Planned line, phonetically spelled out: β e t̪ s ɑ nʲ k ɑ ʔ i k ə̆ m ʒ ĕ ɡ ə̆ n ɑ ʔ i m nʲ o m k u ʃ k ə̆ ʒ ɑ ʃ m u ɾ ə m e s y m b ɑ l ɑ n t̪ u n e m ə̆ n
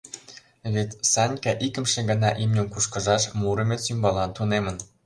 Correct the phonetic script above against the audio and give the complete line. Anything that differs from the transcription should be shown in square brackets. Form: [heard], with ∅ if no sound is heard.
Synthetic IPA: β e t̪ s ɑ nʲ k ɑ ʔ i k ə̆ m [ʃ] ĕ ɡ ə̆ n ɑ ʔ i m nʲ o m k u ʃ k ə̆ ʒ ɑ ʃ m u ɾ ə m e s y m b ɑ l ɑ n t̪ u n e m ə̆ n